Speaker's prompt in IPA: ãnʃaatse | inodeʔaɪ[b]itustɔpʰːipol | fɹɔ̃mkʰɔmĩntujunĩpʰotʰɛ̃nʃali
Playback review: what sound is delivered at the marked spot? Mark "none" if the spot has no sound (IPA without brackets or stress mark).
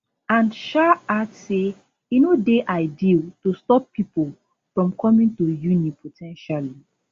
d